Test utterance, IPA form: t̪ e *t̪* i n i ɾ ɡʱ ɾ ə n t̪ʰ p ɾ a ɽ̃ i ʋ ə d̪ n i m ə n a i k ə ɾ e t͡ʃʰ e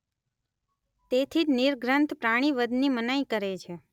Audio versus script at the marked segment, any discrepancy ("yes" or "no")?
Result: yes